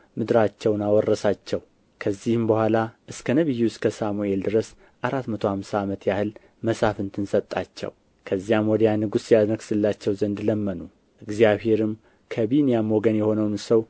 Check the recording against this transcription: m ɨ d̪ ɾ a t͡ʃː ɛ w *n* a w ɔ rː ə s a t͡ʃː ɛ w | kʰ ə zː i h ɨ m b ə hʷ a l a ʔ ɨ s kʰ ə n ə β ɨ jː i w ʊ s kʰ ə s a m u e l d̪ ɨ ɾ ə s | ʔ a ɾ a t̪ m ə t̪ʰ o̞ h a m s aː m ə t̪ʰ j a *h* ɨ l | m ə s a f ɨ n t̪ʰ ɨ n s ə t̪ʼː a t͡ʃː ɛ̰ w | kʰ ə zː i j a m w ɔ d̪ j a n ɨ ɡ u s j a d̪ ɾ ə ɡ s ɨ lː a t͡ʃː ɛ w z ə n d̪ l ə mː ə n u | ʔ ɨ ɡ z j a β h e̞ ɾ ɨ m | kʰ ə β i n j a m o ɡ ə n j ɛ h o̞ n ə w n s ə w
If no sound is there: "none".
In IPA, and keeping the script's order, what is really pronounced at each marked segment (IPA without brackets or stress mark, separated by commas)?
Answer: n, h